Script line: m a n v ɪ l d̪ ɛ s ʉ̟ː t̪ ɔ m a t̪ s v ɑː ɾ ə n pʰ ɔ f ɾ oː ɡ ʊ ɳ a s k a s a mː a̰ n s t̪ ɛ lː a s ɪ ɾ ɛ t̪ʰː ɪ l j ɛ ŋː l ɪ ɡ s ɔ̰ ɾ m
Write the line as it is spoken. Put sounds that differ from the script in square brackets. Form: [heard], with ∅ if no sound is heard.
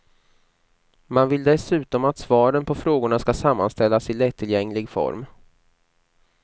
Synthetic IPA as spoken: m a n v ɪ l d̪ ɛ s ʉ̟ː t̪ ɔ m a t̪ s v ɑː ɾ ə n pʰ ɔ f ɾ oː ɡ ʊ ɳ a s k a s a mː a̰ n s t̪ ɛ lː a s ɪ [l] ɛ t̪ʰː ɪ l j ɛ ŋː l ɪ ɡ [f] ɔ̰ ɾ m